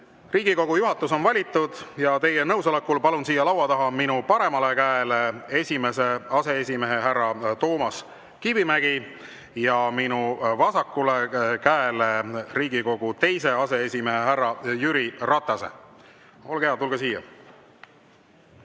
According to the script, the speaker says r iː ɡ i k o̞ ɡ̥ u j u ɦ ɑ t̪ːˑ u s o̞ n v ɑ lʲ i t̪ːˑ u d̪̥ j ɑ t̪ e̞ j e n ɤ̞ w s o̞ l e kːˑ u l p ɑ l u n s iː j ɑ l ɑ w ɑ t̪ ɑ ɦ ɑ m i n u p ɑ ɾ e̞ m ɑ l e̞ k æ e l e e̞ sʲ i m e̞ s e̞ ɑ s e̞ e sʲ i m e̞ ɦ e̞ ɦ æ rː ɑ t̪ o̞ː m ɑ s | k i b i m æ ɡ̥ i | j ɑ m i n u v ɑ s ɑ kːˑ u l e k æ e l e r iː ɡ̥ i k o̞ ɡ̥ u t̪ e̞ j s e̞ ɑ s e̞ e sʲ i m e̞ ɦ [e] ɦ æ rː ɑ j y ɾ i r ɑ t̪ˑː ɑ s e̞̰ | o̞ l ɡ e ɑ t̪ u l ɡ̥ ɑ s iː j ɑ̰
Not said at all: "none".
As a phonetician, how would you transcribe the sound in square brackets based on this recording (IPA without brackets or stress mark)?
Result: e